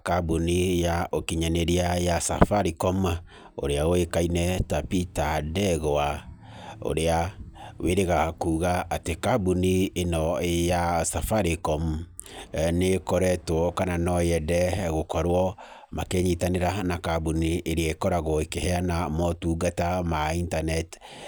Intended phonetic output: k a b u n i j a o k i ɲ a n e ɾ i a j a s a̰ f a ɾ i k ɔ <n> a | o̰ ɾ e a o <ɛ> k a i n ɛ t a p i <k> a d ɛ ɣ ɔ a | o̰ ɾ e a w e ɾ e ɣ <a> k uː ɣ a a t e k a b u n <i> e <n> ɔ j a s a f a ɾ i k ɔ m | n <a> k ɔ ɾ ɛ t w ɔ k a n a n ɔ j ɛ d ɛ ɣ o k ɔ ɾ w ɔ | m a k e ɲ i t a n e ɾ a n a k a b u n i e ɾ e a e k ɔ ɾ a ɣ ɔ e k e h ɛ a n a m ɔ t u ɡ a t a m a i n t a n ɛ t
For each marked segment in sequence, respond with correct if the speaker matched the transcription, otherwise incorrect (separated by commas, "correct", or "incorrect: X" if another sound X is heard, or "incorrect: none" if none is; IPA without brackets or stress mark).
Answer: incorrect: m, incorrect: e, incorrect: t, correct, correct, correct, incorrect: e